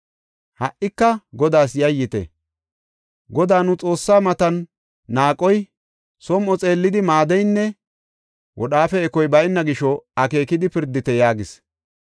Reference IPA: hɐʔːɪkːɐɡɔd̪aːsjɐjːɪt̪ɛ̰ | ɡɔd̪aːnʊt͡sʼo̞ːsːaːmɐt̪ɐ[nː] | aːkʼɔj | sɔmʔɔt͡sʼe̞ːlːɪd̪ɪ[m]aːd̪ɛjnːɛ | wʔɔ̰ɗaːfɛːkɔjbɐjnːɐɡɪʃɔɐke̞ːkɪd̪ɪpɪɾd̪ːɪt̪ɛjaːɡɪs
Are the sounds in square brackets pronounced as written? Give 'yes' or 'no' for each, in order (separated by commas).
yes, yes